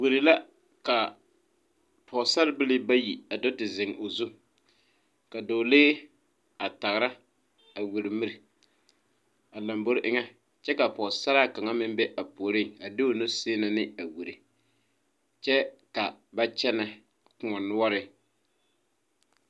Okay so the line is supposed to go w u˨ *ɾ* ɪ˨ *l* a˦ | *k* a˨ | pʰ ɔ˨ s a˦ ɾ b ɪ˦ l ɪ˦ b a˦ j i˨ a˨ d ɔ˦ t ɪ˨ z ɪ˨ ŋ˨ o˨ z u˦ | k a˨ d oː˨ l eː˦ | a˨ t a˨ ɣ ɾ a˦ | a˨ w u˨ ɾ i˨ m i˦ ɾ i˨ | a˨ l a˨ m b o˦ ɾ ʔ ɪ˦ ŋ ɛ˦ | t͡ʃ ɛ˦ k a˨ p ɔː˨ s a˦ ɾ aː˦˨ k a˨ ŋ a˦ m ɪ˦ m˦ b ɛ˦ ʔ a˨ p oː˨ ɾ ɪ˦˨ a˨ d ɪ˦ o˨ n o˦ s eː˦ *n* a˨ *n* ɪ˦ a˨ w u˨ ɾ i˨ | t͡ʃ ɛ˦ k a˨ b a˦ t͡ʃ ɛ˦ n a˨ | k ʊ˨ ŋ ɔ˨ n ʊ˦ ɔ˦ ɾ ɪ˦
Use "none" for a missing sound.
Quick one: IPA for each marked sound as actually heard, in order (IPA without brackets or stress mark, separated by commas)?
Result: ɾ, l, k, n, n